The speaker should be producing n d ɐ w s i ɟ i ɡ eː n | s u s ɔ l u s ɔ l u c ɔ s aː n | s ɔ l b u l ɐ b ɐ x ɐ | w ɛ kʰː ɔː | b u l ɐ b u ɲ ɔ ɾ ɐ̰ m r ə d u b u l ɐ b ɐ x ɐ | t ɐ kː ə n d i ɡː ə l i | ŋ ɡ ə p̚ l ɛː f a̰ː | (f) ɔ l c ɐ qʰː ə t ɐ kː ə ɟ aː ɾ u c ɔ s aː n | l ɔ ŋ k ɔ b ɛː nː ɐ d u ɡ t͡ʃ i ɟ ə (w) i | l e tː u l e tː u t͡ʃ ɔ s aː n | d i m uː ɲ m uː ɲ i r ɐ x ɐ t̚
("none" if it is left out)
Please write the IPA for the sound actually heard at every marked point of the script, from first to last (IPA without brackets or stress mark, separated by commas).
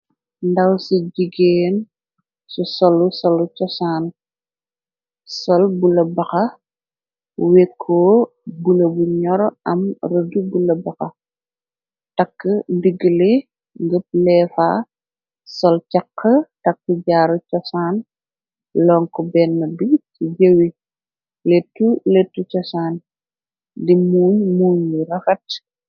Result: s, w